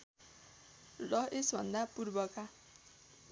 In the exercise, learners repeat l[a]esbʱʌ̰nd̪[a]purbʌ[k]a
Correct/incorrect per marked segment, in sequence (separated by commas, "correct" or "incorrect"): incorrect, correct, correct